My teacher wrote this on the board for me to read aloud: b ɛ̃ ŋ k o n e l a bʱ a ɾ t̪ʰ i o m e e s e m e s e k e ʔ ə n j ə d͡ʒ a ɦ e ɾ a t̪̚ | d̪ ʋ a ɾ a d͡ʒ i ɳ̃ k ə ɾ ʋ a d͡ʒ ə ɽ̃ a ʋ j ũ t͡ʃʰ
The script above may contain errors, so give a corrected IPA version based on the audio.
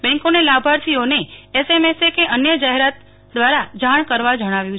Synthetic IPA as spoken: b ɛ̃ ŋ k o n e l a bʱ a ɾ t̪ʰ i o n e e s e m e s e k e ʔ ə n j ə d͡ʒ a ɦ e ɾ a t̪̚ | d̪ ʋ a ɾ a d͡ʒ a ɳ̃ k ə ɾ ʋ a d͡ʒ ə ɽ̃ a ʋ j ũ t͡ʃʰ